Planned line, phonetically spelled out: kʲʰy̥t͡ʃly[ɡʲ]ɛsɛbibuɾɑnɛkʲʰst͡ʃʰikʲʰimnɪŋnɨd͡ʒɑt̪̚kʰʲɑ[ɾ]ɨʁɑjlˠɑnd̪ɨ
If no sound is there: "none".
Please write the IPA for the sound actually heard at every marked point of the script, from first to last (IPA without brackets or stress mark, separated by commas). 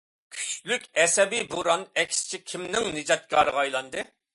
kʲ, ɾ